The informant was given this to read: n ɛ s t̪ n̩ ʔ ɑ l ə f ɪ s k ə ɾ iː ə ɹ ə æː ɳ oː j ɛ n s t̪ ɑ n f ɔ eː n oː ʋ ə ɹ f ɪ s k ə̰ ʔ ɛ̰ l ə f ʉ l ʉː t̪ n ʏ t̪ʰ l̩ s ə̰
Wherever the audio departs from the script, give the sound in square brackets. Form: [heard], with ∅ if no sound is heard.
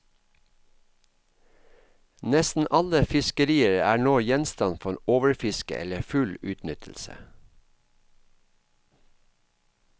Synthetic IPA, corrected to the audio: n ɛ s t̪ n̩ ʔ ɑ l ə f ɪ s k ə ɾ iː ə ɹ ə æː ɳ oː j ɛ n s t̪ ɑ n f ɔ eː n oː ʋ ə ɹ f ɪ s k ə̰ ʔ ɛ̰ l ə f ʉ l ʉː t̪ n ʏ t̪ʰ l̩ s ə̰